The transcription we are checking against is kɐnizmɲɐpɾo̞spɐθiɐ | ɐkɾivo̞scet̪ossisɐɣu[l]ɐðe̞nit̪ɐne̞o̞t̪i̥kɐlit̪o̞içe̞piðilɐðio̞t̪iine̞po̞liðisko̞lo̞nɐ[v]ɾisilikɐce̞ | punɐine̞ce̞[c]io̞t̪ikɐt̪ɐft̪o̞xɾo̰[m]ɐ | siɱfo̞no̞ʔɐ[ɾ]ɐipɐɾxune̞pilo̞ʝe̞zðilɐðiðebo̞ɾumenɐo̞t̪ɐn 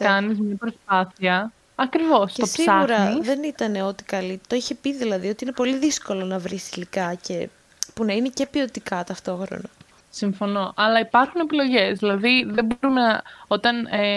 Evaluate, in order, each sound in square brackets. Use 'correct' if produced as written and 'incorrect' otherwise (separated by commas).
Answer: incorrect, correct, incorrect, incorrect, incorrect